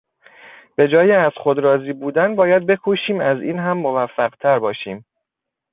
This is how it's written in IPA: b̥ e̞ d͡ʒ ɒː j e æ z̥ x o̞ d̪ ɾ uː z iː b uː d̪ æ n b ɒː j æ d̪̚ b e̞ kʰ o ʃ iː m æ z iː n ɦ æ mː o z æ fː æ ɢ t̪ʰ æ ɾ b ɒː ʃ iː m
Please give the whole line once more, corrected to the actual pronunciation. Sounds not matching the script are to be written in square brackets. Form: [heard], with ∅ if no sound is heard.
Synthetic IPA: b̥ e̞ d͡ʒ ɒː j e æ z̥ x o̞ d̪ ɾ [ɒː] z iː b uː d̪ æ n b ɒː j æ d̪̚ b e̞ kʰ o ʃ iː m æ z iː n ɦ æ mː o [v] æ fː æ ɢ t̪ʰ æ ɾ b ɒː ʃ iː m